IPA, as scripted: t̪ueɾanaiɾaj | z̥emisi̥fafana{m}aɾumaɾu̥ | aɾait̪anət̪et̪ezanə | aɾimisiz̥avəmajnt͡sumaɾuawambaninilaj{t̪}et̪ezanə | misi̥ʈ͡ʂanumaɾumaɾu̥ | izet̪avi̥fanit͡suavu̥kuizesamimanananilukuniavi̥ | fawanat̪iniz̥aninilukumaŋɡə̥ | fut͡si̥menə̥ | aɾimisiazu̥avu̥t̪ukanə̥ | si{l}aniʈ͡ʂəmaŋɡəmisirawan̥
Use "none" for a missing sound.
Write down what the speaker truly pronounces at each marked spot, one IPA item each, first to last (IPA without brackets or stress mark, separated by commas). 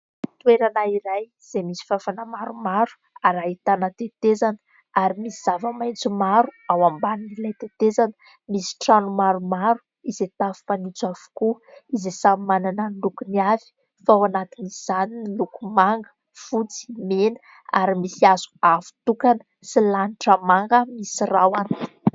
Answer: m, t̪, l